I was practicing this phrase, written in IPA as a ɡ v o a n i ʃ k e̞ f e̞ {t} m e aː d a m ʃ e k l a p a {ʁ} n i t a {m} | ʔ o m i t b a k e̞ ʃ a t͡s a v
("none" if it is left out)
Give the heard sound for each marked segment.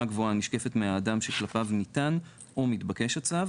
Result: t, v, n

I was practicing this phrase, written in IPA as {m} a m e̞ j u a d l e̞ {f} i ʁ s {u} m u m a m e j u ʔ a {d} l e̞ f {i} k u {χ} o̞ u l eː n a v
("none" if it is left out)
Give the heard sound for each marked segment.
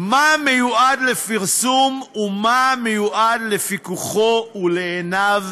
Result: m, f, u, d, i, χ

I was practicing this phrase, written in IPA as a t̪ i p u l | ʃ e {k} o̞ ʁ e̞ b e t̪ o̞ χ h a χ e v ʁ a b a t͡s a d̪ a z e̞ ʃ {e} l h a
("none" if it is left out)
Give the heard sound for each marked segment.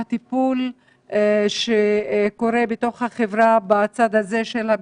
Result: k, e

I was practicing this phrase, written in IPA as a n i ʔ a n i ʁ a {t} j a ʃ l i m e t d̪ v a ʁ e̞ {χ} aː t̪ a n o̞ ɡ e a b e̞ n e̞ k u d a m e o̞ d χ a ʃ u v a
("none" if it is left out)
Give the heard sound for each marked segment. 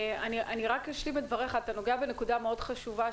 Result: k, χ

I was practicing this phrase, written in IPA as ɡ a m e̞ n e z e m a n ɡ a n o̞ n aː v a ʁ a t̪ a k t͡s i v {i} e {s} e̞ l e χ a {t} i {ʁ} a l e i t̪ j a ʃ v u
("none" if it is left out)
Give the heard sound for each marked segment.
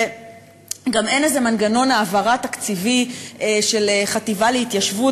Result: i, ʃ, t, v

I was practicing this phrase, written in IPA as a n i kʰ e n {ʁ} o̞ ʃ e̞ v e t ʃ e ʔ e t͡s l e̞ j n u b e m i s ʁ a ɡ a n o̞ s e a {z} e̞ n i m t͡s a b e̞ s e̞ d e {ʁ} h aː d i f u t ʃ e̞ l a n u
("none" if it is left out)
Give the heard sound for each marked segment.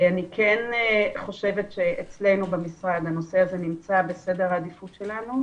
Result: χ, z, ʁ

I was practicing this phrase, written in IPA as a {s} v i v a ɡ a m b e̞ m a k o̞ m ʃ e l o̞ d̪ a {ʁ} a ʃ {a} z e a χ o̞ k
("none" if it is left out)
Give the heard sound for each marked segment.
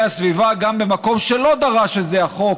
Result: s, ʁ, e

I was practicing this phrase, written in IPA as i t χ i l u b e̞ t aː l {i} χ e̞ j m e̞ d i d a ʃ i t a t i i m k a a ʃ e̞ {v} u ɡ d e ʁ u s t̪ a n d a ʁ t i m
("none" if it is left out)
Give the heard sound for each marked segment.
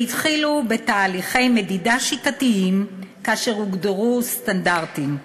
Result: i, ʁ

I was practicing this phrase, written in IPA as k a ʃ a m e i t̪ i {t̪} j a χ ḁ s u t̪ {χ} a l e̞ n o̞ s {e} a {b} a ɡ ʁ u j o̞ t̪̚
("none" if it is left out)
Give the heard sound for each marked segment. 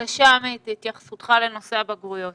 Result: t̪, χ, e, b

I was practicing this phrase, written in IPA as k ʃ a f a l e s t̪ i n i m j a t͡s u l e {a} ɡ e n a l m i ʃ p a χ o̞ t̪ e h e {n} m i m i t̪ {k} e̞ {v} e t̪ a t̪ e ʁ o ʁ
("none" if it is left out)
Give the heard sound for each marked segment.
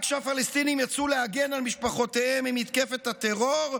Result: a, none, k, f

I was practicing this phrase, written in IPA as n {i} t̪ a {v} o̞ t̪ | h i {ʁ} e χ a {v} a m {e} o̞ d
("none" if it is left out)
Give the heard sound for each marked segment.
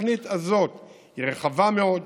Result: i, z, ʁ, v, e

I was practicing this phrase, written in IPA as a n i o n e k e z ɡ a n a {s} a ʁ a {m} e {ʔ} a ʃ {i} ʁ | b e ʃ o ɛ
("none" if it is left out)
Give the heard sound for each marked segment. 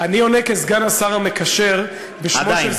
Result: s, m, k, e

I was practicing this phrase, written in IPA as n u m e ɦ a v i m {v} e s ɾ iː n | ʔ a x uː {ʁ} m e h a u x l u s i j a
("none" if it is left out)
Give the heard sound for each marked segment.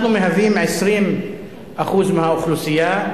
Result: ʕ, z

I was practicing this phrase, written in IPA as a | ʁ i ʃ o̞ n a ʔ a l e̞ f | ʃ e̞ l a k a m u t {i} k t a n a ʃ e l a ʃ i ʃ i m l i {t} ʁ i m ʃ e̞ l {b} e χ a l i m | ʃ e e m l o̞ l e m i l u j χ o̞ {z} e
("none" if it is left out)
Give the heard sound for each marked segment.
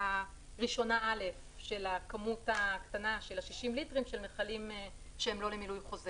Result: a, t, m, z

